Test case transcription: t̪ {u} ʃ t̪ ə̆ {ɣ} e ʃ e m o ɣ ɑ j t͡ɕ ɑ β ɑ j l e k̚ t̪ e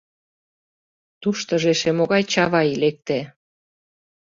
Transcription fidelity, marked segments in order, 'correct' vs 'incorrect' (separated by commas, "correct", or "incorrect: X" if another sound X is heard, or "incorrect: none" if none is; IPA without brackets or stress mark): correct, incorrect: ʒ